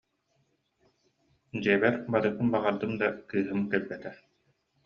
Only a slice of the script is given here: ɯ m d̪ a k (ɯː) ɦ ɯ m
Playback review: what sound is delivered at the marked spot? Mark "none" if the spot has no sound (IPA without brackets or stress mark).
ɯː